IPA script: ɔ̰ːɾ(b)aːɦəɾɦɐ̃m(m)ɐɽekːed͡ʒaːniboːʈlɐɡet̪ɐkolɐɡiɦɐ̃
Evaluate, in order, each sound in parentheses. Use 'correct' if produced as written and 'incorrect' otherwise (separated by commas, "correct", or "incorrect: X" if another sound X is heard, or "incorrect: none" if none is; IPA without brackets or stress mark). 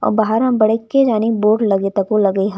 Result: correct, incorrect: b